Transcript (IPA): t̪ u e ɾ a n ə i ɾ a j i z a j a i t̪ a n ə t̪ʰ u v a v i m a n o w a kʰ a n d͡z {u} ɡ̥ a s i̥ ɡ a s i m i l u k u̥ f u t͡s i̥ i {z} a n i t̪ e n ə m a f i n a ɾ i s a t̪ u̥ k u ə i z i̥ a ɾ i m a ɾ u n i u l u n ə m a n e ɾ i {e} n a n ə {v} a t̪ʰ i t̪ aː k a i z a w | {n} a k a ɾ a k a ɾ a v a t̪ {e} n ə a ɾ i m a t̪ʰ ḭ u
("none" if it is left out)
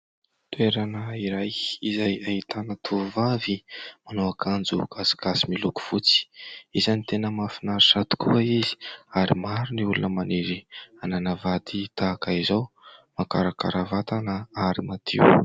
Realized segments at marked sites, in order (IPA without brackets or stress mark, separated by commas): u, z, a, v, m, a